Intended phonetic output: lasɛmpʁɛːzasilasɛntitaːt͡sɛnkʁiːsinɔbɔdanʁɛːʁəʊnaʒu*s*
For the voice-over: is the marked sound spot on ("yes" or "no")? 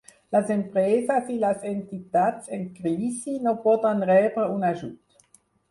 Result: no